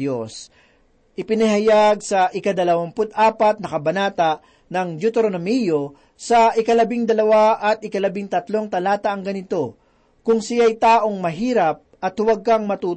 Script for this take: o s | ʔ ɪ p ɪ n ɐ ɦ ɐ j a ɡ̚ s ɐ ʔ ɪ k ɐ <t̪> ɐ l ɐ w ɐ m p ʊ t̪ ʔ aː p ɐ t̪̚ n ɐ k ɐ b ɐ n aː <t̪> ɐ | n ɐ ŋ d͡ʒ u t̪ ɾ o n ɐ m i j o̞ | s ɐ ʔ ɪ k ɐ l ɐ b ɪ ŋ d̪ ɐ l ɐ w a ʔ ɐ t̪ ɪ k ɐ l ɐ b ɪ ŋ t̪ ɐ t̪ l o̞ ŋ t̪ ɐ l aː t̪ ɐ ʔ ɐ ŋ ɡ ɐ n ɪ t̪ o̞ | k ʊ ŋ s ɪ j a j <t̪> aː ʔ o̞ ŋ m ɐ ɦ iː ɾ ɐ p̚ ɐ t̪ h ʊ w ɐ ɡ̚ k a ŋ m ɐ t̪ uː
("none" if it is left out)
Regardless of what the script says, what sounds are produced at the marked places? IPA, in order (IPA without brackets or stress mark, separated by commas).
d̪, t̪, t̪